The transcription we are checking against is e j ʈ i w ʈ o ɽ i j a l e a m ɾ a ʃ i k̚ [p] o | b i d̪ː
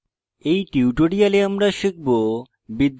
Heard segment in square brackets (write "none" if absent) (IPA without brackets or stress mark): b